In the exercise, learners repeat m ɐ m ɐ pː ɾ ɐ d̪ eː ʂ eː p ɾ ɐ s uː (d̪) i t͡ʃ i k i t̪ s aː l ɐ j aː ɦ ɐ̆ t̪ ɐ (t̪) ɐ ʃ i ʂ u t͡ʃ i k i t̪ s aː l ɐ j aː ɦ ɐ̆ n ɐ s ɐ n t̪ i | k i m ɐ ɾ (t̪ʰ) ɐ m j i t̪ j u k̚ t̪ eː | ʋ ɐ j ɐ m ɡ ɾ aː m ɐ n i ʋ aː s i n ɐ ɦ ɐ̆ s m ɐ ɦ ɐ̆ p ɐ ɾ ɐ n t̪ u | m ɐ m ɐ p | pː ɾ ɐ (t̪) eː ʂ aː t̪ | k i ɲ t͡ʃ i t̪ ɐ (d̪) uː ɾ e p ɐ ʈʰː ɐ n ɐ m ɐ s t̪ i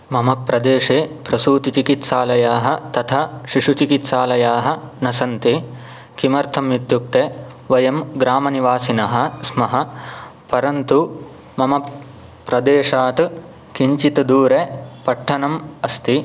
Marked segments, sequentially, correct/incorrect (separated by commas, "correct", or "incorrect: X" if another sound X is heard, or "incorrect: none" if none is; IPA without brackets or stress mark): incorrect: t̪, incorrect: t̪ʰ, correct, incorrect: d̪, correct